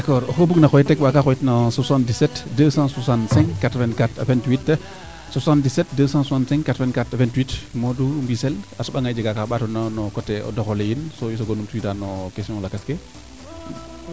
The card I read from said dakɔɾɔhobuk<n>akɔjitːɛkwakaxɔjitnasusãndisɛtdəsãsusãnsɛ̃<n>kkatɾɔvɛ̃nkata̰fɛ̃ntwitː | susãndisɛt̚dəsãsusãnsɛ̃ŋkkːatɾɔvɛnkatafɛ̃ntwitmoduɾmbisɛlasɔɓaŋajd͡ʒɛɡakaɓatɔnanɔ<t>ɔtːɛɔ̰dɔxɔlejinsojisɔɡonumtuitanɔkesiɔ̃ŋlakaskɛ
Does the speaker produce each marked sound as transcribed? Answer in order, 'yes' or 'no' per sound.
yes, no, no

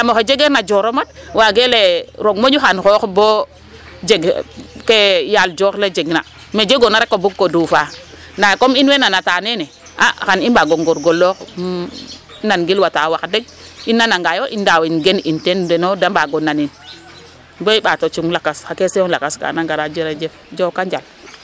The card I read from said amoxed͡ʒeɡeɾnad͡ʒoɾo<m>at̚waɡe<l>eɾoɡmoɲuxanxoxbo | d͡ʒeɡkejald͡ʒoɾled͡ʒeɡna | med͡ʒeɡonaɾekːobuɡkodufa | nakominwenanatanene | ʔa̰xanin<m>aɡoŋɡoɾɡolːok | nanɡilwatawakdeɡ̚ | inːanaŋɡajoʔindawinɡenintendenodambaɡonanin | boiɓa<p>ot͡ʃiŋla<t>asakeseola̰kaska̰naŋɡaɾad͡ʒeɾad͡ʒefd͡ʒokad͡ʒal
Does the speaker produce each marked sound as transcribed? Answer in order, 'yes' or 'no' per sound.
yes, yes, no, no, no

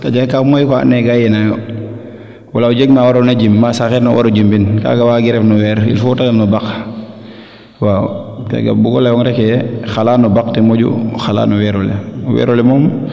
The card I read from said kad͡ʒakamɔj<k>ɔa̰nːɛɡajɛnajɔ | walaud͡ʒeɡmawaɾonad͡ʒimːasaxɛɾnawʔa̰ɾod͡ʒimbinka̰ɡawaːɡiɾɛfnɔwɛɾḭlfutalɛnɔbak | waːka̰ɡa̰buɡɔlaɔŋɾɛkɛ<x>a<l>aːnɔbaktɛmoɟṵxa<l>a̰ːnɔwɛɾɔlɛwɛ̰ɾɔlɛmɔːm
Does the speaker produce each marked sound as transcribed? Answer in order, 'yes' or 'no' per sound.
yes, yes, yes, yes

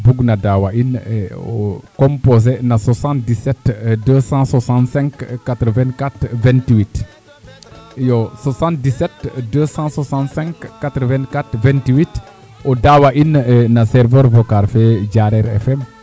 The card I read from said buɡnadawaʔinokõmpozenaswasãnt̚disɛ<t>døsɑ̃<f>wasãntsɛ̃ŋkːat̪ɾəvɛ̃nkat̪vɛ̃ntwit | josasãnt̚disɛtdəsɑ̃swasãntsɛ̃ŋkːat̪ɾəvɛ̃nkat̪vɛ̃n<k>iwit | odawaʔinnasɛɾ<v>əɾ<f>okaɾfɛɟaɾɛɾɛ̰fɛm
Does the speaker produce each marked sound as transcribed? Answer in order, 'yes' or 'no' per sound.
yes, no, no, yes, no

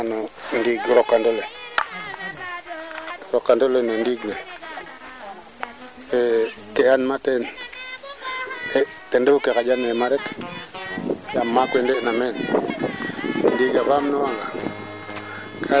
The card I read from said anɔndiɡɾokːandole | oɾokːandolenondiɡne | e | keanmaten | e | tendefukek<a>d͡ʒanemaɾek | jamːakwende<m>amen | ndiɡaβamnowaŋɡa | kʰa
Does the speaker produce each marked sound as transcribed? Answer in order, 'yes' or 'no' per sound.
yes, no

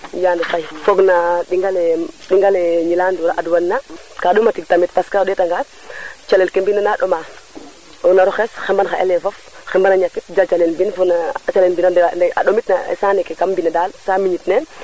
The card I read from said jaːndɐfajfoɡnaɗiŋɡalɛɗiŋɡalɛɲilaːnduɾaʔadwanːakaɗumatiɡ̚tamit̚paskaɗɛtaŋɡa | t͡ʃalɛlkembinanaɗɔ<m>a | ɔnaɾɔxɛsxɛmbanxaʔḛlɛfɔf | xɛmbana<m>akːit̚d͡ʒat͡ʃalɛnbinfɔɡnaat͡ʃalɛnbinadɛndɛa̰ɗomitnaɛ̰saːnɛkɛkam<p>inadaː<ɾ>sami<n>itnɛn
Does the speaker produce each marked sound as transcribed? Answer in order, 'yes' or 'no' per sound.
yes, no, no, no, no

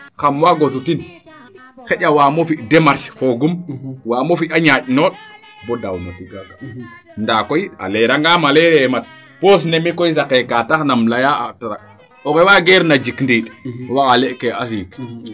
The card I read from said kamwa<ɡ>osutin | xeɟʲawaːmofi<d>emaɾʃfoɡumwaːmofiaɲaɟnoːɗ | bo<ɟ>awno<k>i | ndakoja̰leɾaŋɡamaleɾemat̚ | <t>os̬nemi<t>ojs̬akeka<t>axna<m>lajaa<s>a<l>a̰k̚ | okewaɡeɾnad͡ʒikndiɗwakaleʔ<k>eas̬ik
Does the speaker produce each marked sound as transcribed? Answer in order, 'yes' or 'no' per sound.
yes, yes, no, no, no, no, yes, yes, no, no, yes

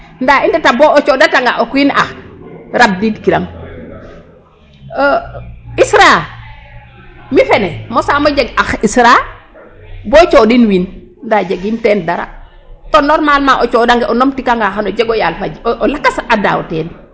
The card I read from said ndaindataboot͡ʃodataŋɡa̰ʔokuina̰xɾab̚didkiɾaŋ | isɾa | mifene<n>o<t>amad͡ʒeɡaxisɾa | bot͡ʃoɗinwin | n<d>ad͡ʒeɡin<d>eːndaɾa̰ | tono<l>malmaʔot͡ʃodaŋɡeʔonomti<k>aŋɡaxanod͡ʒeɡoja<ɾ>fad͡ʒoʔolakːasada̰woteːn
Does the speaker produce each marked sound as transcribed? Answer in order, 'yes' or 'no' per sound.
no, no, yes, no, no, yes, no

